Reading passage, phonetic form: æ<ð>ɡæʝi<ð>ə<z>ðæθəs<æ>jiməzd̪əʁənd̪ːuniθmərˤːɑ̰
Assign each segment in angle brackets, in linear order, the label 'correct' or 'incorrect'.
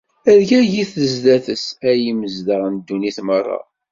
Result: correct, incorrect: θ, correct, correct

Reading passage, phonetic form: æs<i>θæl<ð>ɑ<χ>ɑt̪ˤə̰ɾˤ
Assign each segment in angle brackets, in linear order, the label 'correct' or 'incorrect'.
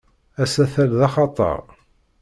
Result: incorrect: æ, correct, correct

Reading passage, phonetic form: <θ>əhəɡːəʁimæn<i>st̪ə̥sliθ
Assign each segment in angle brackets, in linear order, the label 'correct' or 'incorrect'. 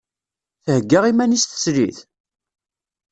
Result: correct, correct

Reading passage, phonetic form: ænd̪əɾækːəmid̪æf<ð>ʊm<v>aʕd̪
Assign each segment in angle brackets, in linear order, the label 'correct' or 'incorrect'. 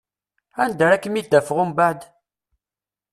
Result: incorrect: ʁ, incorrect: b

